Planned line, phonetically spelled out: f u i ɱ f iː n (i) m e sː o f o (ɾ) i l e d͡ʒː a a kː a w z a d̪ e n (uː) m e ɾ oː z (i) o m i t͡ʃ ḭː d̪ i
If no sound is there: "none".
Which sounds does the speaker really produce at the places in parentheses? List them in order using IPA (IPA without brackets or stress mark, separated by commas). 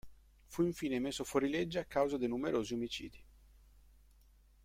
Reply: e, ɾ, u, i